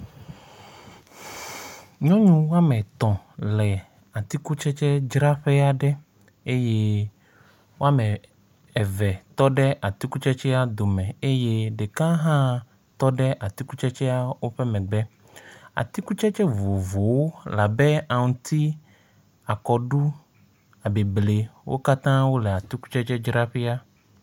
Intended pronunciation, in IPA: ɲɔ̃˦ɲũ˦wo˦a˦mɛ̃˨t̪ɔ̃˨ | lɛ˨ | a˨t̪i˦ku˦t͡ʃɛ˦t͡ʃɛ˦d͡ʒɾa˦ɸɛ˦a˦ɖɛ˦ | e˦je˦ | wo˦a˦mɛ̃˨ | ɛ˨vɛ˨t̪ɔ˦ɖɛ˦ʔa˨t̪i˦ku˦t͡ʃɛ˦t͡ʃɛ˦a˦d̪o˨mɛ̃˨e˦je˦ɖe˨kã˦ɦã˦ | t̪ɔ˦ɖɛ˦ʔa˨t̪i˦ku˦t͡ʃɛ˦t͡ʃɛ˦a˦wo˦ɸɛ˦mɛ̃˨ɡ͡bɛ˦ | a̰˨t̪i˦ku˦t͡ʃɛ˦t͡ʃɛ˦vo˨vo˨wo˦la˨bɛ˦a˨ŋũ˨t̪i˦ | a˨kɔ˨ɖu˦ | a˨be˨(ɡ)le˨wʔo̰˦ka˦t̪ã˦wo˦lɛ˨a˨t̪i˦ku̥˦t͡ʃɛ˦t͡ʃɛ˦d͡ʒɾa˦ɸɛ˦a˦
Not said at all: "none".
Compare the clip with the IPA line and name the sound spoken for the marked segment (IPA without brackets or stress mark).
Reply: b